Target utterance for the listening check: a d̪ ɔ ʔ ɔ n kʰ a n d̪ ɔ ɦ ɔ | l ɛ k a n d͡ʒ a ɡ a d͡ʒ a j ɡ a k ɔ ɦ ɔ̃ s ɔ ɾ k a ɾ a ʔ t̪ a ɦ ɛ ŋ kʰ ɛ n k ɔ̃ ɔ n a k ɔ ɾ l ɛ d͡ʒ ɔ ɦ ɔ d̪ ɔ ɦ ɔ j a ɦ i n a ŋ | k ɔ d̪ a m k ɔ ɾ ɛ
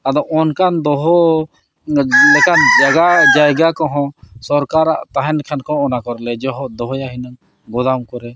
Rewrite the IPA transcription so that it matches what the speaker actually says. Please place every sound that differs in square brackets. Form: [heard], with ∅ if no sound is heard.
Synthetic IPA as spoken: a d̪ ɔ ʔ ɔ n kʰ a n d̪ ɔ ɦ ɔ | l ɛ k a n d͡ʒ a ɡ a d͡ʒ a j ɡ a k ɔ ɦ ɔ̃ s ɔ ɾ k a ɾ a ʔ t̪ a ɦ ɛ [n] kʰ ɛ n k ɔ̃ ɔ n a k ɔ ɾ l ɛ d͡ʒ ɔ ɦ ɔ d̪ ɔ ɦ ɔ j a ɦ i n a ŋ | [ɡ] ɔ d̪ a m k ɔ ɾ ɛ